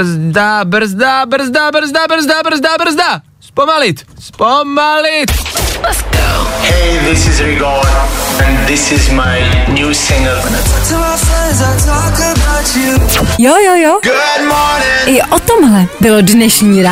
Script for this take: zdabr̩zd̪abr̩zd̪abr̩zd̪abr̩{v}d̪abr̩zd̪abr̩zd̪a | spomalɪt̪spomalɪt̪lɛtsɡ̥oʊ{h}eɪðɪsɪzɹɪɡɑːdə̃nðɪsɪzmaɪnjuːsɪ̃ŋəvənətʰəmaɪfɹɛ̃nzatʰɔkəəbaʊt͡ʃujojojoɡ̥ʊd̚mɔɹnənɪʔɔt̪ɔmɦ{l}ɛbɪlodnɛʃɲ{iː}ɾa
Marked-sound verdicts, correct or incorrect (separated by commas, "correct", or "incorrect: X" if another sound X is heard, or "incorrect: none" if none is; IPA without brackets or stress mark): incorrect: z, correct, correct, correct